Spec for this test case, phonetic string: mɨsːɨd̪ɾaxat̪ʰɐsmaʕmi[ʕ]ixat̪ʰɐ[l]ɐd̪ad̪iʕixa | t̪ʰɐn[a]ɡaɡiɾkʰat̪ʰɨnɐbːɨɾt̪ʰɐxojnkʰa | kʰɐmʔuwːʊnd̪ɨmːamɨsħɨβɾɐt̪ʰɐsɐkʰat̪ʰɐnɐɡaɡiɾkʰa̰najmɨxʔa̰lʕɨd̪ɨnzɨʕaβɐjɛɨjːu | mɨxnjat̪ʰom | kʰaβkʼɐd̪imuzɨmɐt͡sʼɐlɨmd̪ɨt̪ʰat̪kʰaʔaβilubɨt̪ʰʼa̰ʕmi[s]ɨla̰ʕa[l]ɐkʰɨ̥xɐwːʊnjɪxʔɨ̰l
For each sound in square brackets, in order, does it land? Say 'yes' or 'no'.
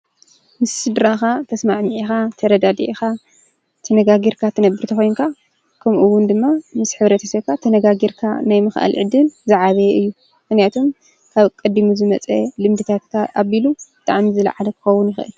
yes, no, no, no, yes

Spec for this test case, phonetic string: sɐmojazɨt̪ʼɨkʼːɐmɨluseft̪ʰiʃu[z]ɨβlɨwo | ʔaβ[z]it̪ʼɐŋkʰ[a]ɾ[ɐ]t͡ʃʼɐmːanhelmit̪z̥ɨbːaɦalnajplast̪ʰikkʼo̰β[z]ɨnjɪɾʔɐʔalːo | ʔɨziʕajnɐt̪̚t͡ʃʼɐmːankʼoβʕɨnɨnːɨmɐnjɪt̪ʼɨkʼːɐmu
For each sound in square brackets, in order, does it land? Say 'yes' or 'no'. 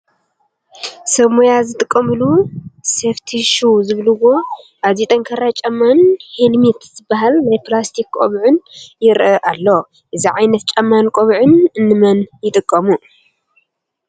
yes, yes, no, no, no

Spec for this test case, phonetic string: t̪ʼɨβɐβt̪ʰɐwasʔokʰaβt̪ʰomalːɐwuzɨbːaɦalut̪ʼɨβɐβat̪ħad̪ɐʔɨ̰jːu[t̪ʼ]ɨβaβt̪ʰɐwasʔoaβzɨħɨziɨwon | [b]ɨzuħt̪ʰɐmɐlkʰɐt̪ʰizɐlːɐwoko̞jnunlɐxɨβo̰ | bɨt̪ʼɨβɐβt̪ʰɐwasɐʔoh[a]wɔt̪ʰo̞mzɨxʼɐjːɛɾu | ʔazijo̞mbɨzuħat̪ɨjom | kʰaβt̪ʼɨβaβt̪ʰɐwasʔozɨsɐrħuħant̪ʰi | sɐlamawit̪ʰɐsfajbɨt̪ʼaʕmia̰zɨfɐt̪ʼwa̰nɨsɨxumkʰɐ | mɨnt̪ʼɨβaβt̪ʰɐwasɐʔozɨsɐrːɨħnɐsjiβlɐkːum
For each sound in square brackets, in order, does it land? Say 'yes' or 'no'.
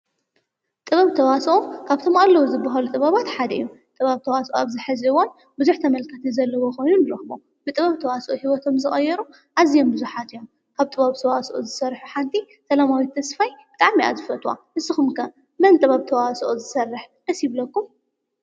yes, yes, no

